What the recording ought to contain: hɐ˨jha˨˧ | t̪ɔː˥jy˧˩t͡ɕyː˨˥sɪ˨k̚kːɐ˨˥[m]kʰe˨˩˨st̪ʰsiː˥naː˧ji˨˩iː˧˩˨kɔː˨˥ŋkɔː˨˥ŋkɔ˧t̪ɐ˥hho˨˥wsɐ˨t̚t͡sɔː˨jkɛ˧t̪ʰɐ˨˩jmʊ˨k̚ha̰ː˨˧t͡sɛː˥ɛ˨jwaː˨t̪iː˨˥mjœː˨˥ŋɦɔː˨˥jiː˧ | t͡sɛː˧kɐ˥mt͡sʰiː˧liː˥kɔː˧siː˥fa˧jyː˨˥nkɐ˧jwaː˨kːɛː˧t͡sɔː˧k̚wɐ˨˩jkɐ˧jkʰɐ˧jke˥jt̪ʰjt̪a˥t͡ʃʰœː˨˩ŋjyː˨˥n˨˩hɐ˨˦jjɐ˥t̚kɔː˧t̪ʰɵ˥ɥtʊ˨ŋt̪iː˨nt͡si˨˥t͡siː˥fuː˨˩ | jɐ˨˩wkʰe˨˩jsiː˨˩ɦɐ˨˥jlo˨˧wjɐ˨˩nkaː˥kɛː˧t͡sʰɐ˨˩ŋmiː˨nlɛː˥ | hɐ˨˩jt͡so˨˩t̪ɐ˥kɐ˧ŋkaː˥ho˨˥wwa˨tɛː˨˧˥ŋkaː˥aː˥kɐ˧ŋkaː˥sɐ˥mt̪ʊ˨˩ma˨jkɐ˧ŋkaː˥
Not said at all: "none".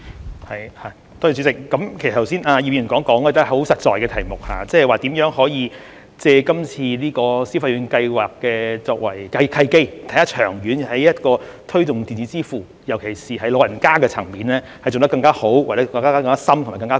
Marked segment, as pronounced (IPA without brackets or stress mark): m